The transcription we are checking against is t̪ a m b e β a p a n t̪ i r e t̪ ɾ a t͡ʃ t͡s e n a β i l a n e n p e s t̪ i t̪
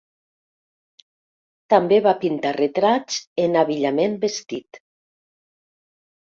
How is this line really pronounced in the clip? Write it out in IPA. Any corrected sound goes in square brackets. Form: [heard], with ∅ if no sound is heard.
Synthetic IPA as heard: t̪ a m b e β a p [i] n t̪ [a] r e t̪ ɾ a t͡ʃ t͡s e n a β i [ʎ] a [m] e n [b] e s t̪ i t̪